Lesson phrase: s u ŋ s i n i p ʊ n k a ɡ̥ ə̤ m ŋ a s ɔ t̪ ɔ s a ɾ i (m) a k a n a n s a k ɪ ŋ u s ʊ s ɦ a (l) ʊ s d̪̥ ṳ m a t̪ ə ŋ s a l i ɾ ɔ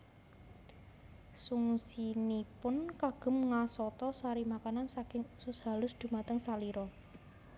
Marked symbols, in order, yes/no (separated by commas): yes, yes